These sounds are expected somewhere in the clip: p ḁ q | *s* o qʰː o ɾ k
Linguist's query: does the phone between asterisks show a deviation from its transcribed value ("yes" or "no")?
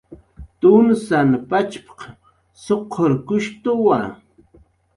no